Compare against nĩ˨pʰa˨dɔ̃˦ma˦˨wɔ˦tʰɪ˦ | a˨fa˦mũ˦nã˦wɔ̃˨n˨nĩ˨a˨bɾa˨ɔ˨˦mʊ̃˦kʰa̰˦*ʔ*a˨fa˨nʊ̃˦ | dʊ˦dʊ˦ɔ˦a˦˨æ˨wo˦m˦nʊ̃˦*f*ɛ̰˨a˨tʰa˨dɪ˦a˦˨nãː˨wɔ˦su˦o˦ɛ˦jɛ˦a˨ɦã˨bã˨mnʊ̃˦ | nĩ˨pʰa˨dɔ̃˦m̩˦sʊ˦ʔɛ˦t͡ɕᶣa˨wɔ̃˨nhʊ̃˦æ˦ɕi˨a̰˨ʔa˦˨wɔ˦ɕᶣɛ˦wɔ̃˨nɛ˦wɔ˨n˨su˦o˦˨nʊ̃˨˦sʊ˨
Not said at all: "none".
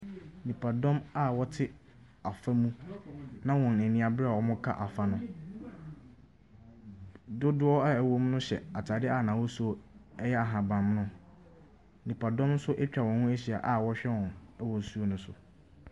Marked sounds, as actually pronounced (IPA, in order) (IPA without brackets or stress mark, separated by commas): ʔ, ɕ